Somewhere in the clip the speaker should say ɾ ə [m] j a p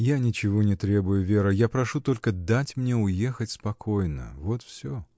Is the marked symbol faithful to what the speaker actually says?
no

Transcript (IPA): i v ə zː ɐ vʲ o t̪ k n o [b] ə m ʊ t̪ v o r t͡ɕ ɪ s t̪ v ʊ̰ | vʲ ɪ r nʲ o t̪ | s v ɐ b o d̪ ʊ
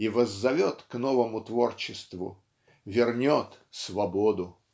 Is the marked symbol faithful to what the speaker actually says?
no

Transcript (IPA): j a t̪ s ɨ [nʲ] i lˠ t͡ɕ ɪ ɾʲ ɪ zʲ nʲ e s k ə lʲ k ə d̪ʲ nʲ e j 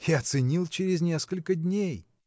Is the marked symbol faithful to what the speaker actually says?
yes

